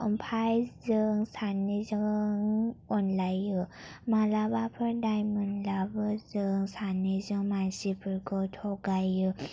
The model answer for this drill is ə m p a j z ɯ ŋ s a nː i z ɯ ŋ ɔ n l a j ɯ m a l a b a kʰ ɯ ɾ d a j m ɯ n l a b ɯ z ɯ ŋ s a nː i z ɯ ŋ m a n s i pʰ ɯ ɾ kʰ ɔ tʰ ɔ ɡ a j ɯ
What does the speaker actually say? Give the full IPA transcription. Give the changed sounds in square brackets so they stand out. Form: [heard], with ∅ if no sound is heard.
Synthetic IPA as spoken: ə m [pʰ] a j z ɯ ŋ s a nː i z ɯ ŋ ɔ n l a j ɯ m a l a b a [pʰ] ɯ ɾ d a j m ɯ n l a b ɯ z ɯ ŋ s a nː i z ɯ ŋ m a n s i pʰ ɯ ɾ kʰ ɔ tʰ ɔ ɡ a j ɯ